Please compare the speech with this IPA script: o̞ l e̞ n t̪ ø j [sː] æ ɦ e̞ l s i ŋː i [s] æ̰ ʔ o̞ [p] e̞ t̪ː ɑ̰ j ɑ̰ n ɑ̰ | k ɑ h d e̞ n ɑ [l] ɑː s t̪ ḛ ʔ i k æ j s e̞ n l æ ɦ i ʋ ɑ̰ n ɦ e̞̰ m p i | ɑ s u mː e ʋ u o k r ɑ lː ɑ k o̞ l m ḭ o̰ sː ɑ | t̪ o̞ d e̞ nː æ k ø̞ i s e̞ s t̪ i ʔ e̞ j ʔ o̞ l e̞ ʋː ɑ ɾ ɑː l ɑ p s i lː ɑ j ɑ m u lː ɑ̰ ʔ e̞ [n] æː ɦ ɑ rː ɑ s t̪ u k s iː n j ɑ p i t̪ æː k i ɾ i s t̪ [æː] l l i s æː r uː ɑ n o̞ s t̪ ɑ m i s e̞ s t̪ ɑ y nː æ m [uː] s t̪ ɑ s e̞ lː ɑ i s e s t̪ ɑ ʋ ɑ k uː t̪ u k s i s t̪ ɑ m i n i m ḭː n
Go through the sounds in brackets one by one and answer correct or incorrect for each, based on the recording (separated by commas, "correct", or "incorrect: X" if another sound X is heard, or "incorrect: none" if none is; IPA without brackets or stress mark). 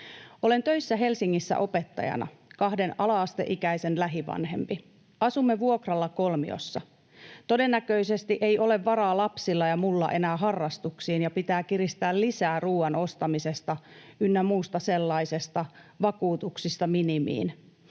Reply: correct, incorrect: sː, correct, correct, correct, correct, correct